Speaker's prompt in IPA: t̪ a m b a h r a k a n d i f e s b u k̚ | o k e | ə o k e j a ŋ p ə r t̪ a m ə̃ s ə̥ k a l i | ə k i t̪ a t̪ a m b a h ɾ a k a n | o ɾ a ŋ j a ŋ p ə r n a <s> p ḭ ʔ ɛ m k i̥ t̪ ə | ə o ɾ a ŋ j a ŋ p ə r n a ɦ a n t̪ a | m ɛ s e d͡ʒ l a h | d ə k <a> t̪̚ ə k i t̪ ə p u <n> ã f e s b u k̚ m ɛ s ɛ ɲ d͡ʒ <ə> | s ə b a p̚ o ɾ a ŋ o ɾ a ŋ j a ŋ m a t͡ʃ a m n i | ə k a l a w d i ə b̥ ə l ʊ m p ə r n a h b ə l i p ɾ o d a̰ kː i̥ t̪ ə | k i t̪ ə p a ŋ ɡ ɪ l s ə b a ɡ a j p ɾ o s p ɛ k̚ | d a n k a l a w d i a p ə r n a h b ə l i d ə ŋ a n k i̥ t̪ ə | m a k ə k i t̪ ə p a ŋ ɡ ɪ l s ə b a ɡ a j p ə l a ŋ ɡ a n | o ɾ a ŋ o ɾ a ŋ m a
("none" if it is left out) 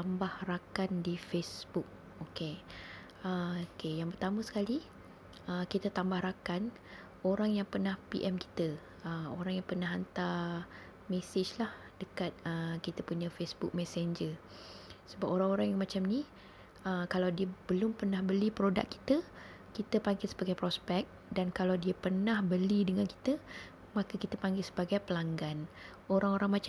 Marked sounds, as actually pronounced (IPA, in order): h, a, ɲ, ə

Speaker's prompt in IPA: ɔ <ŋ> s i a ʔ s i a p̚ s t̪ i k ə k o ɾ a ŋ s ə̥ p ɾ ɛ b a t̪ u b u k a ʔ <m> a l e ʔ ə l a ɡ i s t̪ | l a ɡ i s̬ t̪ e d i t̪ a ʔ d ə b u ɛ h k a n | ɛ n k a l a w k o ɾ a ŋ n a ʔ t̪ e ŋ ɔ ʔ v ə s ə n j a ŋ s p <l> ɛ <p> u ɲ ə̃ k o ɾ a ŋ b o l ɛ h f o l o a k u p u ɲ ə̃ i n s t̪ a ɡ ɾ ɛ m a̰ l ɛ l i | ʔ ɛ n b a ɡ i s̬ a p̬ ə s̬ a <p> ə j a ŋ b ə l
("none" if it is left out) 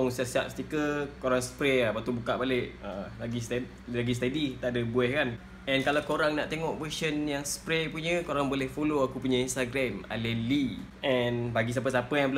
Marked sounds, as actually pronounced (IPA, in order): ŋ, b, ɾ, p, p

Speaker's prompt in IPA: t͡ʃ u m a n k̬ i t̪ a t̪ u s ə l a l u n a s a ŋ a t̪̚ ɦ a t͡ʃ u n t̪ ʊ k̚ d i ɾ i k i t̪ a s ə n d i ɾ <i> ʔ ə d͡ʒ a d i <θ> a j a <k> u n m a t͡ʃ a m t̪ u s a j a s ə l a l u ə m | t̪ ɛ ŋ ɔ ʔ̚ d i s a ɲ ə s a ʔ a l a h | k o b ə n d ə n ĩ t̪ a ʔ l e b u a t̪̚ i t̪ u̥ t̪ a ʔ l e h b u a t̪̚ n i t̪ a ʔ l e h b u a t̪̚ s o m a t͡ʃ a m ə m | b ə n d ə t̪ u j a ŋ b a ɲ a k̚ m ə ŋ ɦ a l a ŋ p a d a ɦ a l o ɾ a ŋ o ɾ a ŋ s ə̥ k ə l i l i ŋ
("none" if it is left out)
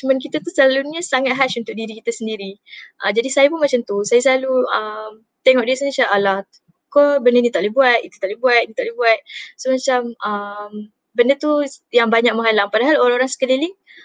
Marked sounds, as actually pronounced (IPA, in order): i, s, p

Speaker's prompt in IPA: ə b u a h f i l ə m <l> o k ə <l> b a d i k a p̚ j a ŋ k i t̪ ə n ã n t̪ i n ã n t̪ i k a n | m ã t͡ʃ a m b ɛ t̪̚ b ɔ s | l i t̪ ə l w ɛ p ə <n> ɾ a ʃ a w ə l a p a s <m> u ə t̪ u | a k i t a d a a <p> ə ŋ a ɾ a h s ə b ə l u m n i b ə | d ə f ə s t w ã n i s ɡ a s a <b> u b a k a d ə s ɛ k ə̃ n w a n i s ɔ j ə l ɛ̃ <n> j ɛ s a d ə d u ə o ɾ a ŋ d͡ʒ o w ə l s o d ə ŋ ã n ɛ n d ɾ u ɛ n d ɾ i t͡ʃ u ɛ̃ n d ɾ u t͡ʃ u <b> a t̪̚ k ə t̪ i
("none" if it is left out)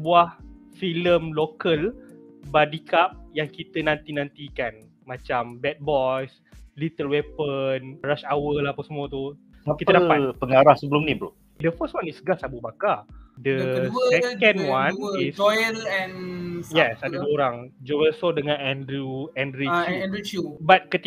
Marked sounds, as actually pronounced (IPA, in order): l, l, n, m, p, b, n, b

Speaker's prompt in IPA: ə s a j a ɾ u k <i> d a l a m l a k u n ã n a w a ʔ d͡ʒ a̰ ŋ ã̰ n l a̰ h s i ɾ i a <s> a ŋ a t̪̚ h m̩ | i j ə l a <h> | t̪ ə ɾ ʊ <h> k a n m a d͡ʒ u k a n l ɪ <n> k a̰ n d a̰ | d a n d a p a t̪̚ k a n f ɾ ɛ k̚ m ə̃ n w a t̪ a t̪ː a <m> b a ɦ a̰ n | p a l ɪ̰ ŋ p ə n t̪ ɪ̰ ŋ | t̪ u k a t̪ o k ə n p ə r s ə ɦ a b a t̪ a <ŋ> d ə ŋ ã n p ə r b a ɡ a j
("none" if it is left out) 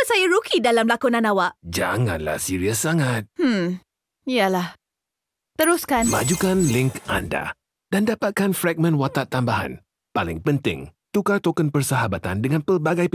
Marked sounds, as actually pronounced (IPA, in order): i, s, h, s, ŋ, m, n

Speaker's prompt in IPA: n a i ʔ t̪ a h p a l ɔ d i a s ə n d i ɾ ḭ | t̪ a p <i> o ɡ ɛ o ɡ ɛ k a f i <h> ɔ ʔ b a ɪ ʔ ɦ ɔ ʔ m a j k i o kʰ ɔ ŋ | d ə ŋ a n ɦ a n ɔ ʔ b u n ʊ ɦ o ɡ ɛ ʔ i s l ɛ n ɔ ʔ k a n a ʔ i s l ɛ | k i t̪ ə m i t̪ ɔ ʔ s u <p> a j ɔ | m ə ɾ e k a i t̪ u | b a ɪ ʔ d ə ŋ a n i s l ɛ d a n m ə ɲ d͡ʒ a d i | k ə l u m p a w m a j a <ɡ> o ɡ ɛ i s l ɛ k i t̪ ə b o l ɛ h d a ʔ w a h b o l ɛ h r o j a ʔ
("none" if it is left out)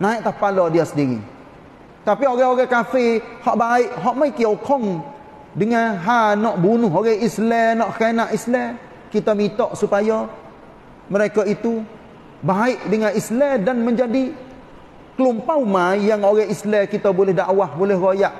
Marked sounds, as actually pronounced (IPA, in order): i, h, p, ŋ

